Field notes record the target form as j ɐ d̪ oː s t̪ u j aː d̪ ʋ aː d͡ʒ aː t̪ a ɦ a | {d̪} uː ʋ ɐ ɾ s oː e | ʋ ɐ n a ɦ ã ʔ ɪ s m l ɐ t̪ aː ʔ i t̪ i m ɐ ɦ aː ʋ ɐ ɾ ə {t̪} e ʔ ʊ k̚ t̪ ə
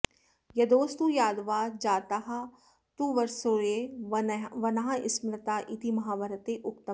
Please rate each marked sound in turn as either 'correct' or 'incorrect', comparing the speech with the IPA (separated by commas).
incorrect, correct